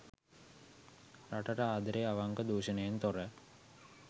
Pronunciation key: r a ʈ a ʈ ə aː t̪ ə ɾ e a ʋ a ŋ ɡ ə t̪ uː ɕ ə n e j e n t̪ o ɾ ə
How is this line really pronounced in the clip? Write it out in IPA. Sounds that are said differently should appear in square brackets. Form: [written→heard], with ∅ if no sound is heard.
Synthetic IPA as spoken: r a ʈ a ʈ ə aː [t̪→d̪] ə ɾ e a ʋ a ŋ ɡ ə [t̪→d̪] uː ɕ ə n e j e n t̪ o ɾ ə